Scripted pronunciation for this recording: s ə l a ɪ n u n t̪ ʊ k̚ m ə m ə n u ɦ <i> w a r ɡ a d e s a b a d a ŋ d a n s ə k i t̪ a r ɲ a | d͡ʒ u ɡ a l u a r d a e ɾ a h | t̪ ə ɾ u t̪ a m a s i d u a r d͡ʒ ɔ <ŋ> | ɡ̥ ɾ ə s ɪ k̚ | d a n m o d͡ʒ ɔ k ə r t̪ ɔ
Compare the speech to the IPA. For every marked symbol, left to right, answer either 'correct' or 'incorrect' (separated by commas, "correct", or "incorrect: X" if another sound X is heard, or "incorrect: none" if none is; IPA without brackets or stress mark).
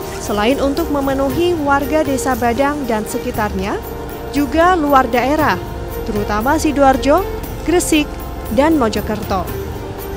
correct, incorrect: none